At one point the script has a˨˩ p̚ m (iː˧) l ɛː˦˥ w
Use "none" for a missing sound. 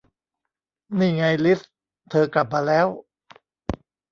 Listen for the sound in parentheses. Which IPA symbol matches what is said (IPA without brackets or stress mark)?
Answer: aː˧